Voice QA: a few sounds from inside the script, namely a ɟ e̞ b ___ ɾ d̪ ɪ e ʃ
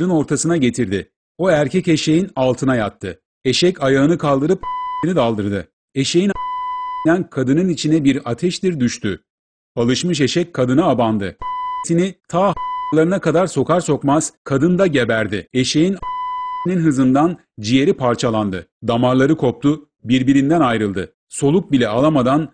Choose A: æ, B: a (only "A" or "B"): A